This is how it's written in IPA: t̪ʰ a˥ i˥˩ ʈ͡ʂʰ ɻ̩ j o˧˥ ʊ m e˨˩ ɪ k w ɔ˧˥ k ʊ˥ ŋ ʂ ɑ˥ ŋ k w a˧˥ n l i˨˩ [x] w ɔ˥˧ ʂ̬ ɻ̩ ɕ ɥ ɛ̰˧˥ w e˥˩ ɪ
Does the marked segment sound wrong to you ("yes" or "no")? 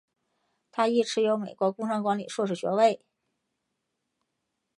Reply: yes